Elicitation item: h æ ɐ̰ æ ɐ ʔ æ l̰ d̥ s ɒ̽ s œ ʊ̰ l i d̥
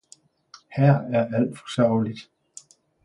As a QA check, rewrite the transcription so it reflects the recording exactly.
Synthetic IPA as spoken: h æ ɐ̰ æ ɐ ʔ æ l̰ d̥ f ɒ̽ s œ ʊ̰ l i d̥